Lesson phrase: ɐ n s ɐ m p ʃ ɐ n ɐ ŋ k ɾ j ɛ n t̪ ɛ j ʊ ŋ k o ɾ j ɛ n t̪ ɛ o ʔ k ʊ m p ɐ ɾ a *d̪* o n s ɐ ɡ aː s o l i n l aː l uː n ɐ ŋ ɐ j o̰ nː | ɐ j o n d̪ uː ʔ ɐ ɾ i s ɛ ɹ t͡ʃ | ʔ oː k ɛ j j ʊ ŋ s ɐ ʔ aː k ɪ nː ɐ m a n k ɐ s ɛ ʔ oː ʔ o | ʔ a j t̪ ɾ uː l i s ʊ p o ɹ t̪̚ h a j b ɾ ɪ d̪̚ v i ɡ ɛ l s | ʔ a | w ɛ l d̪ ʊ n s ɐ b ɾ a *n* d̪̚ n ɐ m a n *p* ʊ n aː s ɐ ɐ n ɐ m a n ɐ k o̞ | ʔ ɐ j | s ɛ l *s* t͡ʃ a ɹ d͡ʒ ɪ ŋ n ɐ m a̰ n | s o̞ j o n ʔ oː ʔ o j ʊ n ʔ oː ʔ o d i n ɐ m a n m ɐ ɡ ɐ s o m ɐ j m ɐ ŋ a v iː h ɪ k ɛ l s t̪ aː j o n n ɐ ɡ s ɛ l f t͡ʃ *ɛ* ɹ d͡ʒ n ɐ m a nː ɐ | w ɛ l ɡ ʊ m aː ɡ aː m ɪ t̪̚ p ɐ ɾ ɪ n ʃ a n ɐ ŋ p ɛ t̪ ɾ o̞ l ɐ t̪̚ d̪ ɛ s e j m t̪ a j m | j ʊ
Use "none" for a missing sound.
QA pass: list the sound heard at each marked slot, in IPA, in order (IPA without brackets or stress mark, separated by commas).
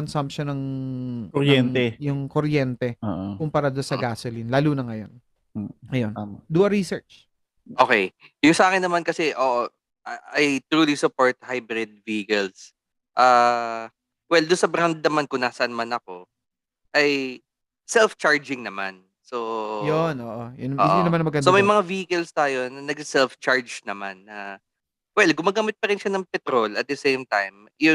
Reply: d̪, n, k, f, a